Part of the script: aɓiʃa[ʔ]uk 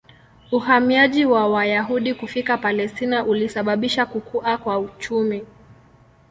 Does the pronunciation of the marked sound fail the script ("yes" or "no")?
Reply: yes